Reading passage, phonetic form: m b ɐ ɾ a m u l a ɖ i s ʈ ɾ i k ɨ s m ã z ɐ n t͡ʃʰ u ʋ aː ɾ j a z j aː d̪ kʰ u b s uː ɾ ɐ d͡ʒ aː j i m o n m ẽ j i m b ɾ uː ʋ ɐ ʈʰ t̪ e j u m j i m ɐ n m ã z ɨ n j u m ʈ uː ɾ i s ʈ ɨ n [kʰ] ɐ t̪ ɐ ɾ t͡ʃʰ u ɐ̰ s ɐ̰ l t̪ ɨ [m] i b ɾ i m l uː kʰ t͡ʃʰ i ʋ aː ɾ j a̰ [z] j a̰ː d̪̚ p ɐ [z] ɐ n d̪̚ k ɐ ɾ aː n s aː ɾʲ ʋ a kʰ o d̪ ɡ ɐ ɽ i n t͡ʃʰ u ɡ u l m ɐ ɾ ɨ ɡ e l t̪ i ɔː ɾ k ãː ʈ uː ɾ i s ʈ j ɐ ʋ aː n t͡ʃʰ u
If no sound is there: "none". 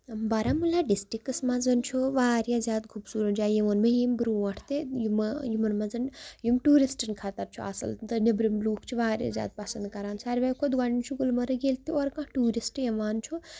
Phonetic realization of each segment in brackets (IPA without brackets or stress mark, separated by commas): kʰ, n, z, s